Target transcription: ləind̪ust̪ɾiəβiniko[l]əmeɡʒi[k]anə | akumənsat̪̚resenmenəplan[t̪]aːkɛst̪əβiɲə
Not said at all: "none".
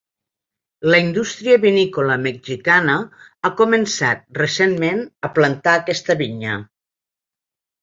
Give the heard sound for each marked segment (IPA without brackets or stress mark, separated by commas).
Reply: l, k, t̪